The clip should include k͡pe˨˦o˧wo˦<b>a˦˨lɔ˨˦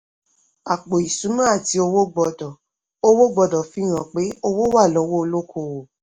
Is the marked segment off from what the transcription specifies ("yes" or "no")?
yes